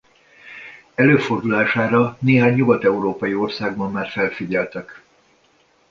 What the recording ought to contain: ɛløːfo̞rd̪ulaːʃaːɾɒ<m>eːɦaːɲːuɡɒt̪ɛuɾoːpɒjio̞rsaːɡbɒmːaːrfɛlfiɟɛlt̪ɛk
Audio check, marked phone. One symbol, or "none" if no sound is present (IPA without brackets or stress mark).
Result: n